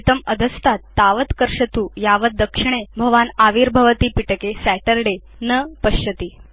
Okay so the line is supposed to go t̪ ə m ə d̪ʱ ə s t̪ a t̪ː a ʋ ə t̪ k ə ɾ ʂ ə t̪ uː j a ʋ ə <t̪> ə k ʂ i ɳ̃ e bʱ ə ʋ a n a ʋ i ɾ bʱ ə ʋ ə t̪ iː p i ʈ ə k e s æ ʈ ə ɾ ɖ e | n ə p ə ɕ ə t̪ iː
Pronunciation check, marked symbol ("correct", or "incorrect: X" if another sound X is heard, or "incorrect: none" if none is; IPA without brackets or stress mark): incorrect: d̪